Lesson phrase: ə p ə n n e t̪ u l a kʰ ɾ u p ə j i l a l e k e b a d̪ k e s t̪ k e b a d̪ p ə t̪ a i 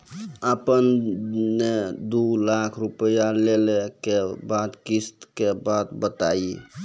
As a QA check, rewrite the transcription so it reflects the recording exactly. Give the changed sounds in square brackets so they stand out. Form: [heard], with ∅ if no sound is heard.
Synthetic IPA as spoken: ə p ə n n e [d̪] u l a kʰ ɾ u p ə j [a] l [e] l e k e b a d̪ k [i] s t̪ k e b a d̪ [b] ə t̪ a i